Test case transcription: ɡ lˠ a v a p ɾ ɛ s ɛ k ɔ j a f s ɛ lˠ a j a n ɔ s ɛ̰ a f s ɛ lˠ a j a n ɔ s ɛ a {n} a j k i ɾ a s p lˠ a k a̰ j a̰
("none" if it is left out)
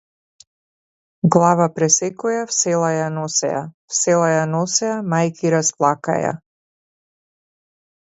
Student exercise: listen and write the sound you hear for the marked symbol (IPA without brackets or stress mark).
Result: m